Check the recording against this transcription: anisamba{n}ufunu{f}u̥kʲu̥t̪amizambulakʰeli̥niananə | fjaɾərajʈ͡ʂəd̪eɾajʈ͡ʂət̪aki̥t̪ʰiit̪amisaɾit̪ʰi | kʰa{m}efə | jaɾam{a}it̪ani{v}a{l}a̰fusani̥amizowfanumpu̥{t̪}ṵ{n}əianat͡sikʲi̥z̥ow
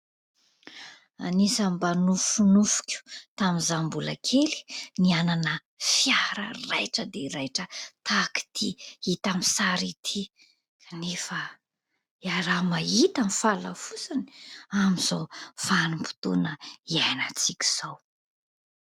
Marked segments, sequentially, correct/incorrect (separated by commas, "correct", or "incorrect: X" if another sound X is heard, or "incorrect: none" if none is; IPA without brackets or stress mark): correct, correct, incorrect: n, correct, incorrect: f, correct, correct, correct